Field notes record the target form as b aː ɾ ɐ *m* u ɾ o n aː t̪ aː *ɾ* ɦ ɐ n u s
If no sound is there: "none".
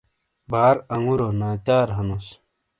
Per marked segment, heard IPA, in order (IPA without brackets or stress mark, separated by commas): ŋ, ɾ